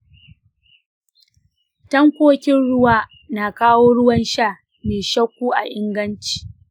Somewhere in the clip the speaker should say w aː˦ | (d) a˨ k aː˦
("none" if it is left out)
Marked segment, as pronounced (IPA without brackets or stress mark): n